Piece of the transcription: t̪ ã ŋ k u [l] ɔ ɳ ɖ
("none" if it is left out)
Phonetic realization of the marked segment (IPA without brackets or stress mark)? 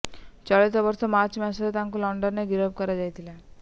l